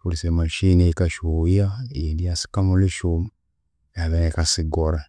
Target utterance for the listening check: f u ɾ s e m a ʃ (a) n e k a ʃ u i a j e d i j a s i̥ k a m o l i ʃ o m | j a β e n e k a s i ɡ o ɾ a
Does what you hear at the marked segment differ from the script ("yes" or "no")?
yes